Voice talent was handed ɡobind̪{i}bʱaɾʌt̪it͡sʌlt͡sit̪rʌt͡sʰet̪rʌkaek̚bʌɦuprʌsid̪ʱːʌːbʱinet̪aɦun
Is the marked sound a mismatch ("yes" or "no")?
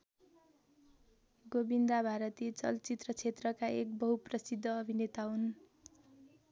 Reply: yes